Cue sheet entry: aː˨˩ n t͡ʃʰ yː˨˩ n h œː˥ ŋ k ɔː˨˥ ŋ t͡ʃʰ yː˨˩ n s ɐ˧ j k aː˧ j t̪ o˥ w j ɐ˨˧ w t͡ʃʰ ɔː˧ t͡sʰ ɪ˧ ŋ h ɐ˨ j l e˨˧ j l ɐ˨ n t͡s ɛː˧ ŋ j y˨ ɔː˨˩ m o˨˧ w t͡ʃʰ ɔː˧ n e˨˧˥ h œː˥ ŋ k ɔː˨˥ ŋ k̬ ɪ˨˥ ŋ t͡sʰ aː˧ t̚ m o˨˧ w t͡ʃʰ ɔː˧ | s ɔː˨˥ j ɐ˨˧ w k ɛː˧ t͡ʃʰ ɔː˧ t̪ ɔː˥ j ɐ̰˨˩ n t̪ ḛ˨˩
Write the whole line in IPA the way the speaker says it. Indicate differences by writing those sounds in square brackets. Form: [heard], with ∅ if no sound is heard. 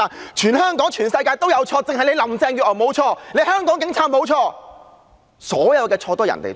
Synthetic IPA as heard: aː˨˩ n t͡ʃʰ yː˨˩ n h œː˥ ŋ k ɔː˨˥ ŋ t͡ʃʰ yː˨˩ n s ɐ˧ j k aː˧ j t̪ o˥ w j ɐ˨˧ w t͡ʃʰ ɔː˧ [t͡s] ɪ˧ ŋ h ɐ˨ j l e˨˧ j l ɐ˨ [m] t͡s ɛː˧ ŋ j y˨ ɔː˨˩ m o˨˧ w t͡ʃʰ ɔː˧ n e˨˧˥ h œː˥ ŋ k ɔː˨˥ ŋ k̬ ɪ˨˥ ŋ t͡sʰ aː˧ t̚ m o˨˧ w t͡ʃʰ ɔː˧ | s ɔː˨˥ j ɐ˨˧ w k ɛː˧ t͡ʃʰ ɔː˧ t̪ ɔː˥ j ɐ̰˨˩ n t̪ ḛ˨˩